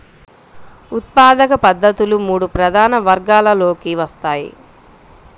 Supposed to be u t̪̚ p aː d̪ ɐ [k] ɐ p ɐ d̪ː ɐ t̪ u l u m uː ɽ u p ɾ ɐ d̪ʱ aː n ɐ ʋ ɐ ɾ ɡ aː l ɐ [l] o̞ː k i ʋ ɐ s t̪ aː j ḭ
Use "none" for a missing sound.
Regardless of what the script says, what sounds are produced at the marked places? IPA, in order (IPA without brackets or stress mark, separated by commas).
k, l